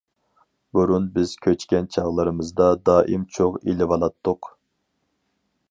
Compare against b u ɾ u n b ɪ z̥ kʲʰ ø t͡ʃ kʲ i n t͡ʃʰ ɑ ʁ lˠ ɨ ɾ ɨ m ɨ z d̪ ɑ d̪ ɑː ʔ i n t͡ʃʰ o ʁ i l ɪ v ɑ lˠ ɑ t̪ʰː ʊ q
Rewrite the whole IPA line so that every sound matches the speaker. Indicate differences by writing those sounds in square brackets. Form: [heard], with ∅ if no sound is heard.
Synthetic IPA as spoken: b u ɾ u n b ɪ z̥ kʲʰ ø t͡ʃ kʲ [ɛ] n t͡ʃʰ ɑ ʁ lˠ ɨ ɾ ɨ m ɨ z d̪ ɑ d̪ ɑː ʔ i [m] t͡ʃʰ o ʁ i l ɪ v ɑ lˠ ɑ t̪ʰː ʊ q